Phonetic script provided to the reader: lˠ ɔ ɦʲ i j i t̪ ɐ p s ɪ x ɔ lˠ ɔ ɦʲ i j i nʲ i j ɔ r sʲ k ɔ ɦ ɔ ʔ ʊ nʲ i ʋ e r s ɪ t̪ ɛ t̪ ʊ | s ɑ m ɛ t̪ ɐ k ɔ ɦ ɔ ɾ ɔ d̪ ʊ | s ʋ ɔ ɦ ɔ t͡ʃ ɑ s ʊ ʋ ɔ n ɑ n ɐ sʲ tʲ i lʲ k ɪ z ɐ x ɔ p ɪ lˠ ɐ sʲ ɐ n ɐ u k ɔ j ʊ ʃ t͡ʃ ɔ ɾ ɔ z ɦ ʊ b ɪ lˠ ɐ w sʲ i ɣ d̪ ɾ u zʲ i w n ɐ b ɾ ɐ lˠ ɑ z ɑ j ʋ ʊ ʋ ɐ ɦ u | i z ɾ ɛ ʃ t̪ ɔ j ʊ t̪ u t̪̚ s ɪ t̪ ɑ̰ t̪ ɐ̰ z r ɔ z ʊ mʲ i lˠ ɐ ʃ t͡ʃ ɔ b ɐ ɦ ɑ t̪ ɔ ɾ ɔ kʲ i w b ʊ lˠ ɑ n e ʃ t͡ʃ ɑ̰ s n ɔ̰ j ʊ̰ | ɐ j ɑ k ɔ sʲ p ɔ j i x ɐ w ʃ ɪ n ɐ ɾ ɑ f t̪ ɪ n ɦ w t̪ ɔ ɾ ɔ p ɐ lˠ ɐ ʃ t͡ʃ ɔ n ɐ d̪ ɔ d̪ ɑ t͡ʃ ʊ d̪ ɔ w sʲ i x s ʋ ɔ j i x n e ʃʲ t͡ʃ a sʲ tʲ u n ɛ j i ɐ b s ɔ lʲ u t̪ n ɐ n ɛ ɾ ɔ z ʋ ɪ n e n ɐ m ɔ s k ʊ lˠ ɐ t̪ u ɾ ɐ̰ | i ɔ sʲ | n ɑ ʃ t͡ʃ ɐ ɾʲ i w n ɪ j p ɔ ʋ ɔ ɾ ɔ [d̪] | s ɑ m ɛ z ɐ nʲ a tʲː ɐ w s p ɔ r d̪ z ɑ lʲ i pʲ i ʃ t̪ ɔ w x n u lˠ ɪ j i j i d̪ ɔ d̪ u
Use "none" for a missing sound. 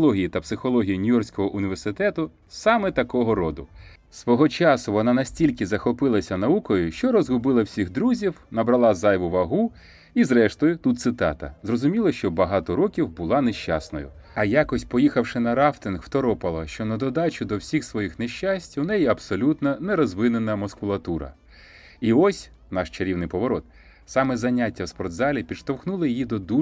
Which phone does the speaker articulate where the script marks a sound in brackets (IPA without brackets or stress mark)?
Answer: t̪